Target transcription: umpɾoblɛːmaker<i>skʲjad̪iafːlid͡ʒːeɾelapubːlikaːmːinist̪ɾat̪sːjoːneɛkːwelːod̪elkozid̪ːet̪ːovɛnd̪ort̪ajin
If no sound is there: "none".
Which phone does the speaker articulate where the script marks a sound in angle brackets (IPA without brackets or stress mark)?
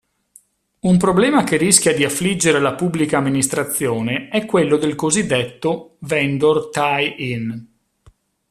i